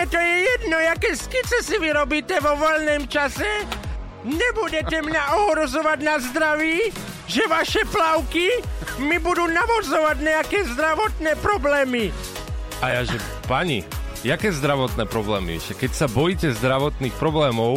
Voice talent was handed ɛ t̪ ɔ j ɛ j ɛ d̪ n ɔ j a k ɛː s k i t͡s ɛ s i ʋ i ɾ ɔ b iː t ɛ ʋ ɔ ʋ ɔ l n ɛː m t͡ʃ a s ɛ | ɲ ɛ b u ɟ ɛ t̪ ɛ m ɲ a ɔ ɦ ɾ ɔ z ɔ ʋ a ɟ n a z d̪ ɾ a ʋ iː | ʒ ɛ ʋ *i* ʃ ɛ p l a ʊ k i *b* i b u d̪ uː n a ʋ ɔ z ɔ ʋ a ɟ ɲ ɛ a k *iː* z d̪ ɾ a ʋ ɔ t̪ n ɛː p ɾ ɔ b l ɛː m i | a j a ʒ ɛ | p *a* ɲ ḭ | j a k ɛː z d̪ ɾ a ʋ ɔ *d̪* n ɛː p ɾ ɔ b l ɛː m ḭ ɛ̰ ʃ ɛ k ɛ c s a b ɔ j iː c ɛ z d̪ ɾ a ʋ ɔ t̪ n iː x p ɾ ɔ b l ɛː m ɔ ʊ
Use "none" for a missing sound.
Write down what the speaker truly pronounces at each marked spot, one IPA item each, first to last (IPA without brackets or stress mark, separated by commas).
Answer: a, m, ɛː, a, t̪